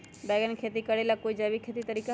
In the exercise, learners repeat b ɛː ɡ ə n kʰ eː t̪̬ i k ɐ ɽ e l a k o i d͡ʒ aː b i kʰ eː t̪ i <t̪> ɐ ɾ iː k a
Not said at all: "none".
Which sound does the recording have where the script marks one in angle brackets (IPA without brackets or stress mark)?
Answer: t̪